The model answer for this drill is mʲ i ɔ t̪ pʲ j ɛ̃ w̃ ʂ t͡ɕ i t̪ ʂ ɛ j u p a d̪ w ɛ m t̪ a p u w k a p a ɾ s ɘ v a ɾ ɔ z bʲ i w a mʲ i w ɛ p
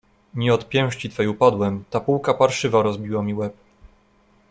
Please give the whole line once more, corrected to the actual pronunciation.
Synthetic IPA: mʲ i ɔ t̪ pʲ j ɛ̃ w̃ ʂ t͡ɕ i t̪ f ɛ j u p a d̪ w ɛ m t̪ a p u w k a p a ɾ ʂ ɘ v a ɾ ɔ z bʲ i w a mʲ i w ɛ p